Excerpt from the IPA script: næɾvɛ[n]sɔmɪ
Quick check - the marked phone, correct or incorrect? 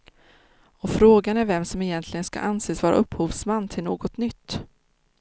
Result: incorrect